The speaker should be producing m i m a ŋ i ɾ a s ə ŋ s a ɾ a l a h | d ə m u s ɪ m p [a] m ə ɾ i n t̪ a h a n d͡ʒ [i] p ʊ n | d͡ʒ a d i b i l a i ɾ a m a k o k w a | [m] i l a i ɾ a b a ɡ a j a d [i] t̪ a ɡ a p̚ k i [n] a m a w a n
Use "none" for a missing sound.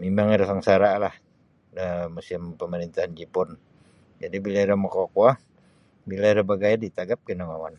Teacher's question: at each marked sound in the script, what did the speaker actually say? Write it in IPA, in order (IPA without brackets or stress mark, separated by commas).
ə, i, b, i, n